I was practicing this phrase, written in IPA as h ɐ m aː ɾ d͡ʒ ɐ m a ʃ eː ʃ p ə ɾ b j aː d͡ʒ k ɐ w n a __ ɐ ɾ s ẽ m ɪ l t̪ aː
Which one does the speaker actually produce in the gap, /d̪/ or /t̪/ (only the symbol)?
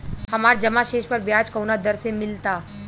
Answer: d̪